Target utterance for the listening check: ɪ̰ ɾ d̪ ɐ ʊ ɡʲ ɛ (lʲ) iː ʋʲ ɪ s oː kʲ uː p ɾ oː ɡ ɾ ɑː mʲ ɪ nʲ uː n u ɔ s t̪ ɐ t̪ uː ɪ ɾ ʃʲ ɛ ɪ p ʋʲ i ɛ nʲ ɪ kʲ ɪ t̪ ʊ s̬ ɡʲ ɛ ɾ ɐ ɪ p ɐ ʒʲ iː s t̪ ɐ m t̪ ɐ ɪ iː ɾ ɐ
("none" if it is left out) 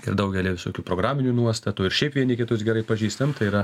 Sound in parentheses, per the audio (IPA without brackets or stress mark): lʲ